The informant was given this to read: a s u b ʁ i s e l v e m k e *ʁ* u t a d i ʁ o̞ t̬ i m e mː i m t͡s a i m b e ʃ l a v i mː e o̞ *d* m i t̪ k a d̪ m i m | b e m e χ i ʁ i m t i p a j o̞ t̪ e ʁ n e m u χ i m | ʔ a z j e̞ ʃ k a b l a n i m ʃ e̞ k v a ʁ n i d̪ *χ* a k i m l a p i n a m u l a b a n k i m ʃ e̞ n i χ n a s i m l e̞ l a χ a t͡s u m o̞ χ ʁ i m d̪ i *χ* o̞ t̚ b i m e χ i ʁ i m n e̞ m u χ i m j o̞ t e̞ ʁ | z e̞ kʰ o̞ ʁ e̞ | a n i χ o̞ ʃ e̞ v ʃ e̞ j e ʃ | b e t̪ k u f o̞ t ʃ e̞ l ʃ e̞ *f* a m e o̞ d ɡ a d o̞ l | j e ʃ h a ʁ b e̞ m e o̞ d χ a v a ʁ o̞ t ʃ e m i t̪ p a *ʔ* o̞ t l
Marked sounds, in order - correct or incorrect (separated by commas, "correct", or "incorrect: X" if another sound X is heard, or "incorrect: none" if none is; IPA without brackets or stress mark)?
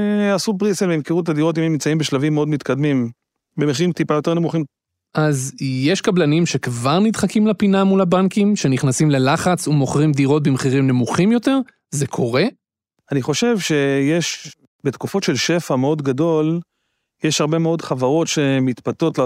correct, correct, correct, incorrect: ʁ, correct, incorrect: t